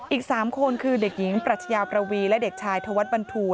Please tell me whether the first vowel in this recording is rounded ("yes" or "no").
no